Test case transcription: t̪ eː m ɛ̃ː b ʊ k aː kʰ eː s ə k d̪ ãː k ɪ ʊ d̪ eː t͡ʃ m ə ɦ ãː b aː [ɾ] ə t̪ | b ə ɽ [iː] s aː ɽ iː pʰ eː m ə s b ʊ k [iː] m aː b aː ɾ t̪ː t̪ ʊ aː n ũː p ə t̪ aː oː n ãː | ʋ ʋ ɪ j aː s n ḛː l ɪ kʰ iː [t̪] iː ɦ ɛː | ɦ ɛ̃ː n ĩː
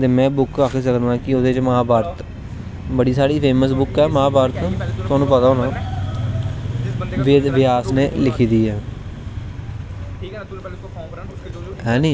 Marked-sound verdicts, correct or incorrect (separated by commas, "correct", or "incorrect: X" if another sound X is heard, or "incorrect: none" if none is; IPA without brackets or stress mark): correct, correct, incorrect: ɛː, incorrect: d̪